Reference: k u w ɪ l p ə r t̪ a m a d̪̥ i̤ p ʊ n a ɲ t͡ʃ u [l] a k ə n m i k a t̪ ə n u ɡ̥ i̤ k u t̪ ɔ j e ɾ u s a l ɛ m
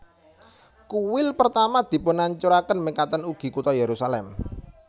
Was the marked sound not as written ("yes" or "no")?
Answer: yes